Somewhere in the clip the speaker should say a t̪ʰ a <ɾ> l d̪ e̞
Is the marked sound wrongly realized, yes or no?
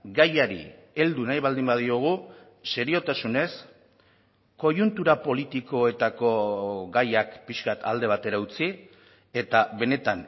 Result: yes